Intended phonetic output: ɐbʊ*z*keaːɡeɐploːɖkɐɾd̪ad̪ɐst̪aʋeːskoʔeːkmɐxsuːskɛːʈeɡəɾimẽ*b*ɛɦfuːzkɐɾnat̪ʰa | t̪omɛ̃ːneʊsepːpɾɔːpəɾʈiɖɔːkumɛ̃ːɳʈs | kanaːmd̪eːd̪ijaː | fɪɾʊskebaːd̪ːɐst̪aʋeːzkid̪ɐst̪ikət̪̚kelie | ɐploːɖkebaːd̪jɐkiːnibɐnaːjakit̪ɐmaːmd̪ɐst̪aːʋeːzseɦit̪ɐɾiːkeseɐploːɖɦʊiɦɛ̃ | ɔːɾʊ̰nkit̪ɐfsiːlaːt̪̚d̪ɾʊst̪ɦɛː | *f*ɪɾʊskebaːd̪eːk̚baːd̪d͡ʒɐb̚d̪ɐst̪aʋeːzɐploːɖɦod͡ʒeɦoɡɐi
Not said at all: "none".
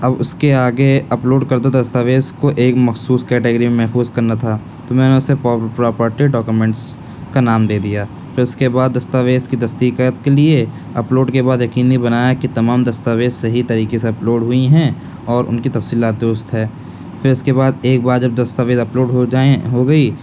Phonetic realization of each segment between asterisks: s, m, f

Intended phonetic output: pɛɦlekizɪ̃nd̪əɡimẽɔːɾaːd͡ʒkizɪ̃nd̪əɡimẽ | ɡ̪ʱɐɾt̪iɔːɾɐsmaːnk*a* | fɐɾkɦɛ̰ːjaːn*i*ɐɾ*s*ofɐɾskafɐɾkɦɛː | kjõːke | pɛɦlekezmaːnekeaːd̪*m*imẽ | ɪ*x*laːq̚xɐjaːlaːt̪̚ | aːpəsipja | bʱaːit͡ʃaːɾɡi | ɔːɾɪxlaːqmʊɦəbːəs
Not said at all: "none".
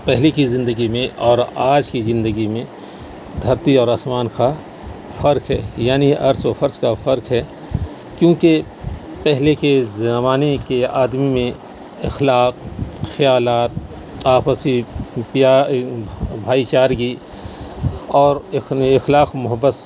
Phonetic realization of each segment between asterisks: a, i, s, m, x

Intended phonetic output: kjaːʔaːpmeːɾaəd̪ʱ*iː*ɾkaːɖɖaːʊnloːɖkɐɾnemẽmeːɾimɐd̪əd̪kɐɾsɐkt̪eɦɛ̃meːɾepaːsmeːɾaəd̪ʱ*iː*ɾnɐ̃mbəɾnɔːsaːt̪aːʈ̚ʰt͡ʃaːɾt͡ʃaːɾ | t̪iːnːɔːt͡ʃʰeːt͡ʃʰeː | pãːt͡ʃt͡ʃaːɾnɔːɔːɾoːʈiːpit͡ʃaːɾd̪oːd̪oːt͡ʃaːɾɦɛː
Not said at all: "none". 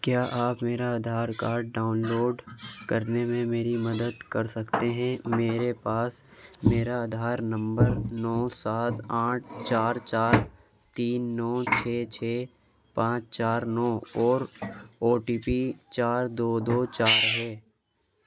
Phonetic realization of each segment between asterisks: aː, aː

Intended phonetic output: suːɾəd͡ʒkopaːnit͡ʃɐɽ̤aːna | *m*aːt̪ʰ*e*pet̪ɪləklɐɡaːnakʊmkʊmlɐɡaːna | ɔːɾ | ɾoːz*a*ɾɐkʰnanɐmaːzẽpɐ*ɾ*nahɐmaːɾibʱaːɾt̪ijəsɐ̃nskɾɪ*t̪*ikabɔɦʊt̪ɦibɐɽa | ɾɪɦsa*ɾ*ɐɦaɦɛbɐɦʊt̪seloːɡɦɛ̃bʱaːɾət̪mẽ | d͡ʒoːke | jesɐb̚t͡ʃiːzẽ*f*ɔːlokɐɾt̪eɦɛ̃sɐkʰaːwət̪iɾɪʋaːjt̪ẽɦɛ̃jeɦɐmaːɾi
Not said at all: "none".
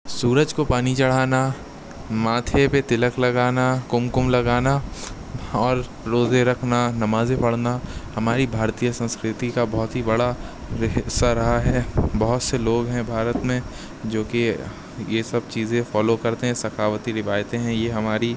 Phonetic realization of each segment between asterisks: m, e, e, ɽ, t̪, ɾ, f

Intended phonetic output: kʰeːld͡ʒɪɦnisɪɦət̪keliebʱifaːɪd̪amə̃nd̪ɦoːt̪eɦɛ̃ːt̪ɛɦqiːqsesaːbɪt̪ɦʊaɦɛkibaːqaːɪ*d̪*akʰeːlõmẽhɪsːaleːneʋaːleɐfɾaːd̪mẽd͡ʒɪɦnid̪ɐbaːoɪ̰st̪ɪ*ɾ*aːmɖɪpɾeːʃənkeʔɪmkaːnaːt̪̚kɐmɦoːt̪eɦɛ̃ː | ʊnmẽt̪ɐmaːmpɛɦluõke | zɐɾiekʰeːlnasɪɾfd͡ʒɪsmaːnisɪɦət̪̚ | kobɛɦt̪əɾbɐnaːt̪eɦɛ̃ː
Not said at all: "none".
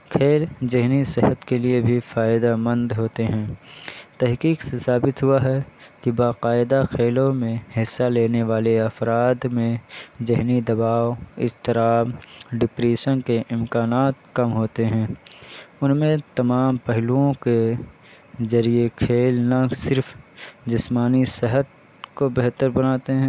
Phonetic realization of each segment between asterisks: d̪, ɾ

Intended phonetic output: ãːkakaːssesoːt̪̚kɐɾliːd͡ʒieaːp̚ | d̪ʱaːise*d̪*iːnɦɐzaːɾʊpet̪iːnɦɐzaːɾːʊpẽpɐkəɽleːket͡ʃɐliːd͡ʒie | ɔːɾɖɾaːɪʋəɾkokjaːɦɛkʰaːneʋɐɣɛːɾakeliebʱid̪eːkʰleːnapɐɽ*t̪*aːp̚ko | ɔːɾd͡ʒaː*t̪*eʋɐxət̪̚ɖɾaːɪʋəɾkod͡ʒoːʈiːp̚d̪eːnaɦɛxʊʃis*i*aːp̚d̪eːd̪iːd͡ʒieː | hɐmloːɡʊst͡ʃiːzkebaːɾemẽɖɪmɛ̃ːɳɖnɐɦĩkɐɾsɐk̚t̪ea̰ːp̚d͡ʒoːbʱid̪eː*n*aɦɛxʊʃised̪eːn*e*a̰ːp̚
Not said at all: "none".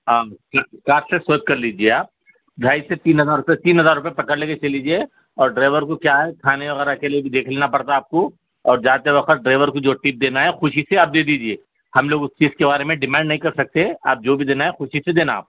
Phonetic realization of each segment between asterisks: t̪, t̪, t̪, e, n, a

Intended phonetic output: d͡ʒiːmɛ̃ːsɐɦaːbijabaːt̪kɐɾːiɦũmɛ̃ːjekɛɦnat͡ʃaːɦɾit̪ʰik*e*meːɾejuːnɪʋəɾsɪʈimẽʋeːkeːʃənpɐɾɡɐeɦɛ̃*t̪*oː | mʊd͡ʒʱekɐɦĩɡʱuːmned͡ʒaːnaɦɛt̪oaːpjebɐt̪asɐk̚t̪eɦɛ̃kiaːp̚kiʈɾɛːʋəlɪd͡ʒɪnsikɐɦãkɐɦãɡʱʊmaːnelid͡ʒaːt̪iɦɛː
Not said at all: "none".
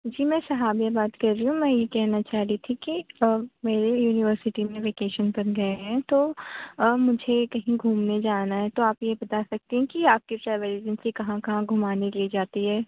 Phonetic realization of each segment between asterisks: i, t̪

